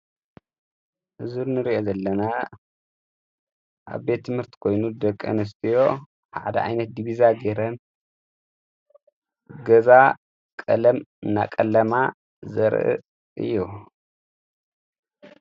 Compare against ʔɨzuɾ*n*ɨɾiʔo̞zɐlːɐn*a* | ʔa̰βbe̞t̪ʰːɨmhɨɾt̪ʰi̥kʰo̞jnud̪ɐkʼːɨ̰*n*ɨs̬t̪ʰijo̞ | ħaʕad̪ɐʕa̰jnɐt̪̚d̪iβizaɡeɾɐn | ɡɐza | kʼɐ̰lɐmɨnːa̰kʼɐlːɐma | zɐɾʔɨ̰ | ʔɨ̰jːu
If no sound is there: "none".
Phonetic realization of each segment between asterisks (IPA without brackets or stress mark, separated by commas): n, a, n